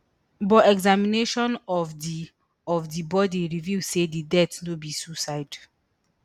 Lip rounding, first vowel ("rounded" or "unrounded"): rounded